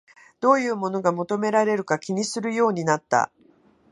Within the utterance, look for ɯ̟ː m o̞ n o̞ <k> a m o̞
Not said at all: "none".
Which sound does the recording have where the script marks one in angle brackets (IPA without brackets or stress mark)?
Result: ɡ